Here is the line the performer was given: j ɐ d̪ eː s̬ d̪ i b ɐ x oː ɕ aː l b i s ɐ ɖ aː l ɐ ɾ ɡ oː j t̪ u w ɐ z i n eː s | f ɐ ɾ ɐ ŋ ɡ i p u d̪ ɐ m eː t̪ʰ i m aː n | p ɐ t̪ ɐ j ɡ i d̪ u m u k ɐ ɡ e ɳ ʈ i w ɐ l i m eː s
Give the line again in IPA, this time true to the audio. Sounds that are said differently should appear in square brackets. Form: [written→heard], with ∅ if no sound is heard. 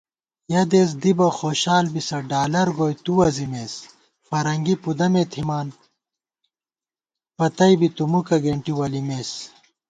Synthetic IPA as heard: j ɐ d̪ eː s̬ d̪ i b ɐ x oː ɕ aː l b i s ɐ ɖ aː l ɐ ɾ ɡ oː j t̪ u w ɐ z i [n→m] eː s | f ɐ ɾ ɐ ŋ ɡ i p u d̪ ɐ m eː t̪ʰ i m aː n | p ɐ t̪ ɐ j [ɡ→b] i [d̪→t̪] u m u k ɐ ɡ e ɳ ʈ i w ɐ l i m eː s